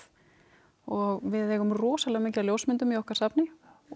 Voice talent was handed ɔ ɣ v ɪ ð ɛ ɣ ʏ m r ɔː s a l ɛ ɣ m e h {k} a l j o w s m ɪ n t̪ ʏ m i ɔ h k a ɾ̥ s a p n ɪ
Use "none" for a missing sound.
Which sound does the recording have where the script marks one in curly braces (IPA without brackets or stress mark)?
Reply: c